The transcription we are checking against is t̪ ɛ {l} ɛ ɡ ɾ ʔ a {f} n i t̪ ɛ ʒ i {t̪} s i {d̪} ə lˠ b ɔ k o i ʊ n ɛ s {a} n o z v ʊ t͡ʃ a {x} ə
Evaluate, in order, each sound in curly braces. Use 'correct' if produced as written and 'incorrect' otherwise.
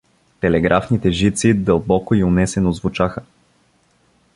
correct, correct, correct, correct, incorrect: ɛ, correct

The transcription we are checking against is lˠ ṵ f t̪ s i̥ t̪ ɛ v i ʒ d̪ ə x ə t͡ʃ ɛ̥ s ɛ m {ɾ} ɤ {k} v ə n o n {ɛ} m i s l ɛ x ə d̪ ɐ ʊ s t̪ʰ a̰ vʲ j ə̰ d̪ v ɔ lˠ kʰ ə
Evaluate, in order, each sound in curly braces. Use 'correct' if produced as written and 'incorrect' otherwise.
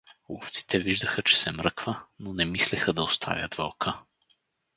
correct, correct, correct

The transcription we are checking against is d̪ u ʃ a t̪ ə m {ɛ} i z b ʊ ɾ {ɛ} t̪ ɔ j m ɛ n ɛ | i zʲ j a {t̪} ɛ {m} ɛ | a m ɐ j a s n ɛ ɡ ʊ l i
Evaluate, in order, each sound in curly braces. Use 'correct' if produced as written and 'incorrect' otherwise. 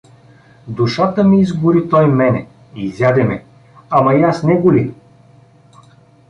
incorrect: i, incorrect: i, incorrect: d̪, correct

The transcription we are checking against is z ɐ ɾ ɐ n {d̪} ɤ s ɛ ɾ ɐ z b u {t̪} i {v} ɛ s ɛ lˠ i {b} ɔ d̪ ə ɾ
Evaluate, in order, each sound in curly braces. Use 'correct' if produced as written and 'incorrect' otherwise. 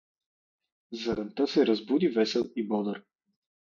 incorrect: t̪, incorrect: d̪, correct, correct

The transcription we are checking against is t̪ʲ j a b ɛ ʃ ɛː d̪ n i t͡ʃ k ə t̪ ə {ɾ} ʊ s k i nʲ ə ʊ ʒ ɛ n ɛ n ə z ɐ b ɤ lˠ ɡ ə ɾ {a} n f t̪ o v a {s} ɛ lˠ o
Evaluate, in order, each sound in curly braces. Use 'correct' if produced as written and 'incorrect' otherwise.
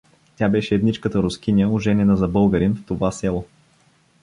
correct, incorrect: i, correct

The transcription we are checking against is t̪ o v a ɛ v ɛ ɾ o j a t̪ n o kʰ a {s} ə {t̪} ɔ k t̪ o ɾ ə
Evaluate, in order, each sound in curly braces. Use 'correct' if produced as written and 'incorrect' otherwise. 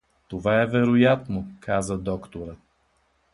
incorrect: z, incorrect: d̪

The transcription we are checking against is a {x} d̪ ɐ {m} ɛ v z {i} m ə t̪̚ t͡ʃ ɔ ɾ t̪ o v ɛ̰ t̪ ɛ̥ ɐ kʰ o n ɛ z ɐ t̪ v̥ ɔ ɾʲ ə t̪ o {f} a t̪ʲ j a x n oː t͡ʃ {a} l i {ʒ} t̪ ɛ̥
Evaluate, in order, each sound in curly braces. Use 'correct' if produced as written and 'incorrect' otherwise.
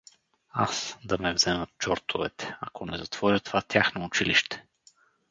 incorrect: s, correct, incorrect: ɛ, incorrect: v, incorrect: i, incorrect: ʃ

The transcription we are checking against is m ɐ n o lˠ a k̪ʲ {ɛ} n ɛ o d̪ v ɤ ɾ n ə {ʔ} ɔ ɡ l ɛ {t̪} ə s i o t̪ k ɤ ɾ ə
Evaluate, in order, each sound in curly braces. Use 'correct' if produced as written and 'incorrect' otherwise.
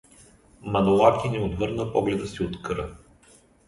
incorrect: i, incorrect: p, incorrect: d̪

